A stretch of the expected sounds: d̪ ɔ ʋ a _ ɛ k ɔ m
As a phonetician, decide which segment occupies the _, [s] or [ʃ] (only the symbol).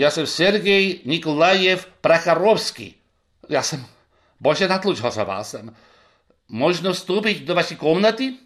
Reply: ʃ